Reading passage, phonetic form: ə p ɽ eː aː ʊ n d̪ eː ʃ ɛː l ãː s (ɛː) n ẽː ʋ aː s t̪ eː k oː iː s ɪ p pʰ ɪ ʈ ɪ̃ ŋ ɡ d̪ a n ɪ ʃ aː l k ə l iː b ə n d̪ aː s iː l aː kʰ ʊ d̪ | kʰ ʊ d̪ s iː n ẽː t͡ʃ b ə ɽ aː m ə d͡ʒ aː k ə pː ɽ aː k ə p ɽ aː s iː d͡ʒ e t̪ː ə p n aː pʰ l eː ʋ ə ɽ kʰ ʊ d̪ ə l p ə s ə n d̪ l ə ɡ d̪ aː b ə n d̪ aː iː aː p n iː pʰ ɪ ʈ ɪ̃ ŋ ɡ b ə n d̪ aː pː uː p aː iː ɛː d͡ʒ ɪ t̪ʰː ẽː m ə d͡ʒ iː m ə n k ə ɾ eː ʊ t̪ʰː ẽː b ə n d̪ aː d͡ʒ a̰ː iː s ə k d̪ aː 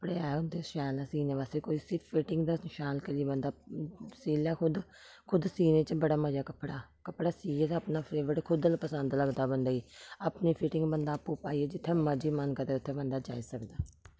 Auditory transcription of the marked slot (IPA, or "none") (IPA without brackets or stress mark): iː